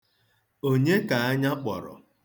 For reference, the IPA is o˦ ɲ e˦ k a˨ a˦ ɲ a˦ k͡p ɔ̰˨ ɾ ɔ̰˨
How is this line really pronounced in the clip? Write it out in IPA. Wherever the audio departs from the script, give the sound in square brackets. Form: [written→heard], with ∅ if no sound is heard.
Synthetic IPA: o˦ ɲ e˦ k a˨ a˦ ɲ a˦ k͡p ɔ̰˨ ɾ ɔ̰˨

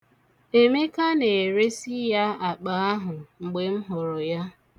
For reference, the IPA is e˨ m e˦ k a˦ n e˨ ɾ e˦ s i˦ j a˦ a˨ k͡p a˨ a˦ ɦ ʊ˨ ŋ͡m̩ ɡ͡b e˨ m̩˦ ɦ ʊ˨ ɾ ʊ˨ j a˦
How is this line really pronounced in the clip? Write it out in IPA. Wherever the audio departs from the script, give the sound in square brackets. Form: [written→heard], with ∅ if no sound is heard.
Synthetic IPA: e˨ m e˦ k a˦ n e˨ ɾ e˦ s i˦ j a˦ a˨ k͡p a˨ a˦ ɦ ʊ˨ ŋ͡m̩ ɡ͡b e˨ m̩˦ ɦ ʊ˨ ɾ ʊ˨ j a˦

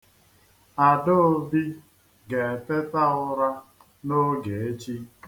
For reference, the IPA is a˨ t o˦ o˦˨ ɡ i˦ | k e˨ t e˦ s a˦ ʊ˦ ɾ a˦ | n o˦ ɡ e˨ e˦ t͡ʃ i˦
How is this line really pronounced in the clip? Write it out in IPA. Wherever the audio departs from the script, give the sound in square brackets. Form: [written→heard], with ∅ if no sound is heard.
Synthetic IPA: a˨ [t→d] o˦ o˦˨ [ɡ→b] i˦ | [k→ɡ] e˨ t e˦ [s→t] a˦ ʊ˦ ɾ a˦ | n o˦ ɡ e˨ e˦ t͡ʃ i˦

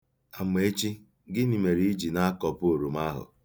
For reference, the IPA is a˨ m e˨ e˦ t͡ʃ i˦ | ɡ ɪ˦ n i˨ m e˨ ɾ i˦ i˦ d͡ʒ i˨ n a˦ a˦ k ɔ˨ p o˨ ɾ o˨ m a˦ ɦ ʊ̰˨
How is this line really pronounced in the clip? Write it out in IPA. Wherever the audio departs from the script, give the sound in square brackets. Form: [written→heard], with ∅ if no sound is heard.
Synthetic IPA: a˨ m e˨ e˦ t͡ʃ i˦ | ɡ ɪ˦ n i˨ m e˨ ɾ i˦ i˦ d͡ʒ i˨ n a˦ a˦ k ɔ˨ p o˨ ɾ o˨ m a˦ ɦ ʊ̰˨

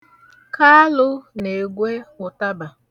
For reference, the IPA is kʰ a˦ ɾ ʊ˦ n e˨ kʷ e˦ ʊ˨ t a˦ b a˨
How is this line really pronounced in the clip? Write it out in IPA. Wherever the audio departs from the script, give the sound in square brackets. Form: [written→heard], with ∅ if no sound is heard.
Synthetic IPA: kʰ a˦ [ɾ→l] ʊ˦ n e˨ [kʷ→ɡʷ] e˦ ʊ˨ t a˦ b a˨

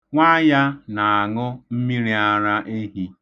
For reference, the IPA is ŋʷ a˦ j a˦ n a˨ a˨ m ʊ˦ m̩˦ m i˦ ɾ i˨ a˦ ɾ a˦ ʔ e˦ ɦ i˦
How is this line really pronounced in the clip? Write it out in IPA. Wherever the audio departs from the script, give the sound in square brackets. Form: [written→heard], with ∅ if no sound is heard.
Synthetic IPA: ŋʷ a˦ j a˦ n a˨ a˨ [m→ŋ] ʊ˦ m̩˦ m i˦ ɾ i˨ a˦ ɾ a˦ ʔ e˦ ɦ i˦

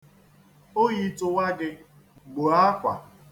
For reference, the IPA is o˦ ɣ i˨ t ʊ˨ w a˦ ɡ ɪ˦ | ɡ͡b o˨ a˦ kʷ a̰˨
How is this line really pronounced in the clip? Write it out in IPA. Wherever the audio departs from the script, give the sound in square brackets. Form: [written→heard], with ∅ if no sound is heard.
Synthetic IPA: o˦ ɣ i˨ t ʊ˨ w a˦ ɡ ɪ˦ | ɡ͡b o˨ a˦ kʷ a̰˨

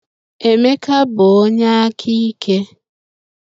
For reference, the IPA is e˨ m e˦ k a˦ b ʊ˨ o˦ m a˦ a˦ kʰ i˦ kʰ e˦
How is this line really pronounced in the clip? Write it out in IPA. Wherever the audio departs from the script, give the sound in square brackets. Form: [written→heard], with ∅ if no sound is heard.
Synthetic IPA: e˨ m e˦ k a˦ b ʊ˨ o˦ [m→ɲ] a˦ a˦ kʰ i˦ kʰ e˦

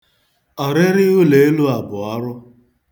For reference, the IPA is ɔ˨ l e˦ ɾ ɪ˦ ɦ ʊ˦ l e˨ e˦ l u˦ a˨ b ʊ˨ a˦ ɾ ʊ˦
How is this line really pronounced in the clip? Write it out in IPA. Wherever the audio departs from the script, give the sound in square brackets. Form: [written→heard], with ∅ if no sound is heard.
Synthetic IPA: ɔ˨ [l→ɾ] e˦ ɾ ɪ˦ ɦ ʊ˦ l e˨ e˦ l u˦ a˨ b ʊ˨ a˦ ɾ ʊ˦

